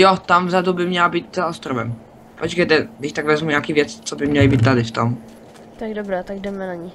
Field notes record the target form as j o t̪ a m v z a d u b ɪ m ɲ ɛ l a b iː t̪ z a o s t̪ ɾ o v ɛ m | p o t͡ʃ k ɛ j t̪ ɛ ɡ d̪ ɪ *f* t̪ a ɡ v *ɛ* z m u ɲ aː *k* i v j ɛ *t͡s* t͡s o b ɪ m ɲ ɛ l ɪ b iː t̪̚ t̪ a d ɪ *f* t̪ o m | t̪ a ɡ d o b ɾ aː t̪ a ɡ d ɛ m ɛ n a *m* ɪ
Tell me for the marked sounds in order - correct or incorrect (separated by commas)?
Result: incorrect, correct, correct, correct, correct, incorrect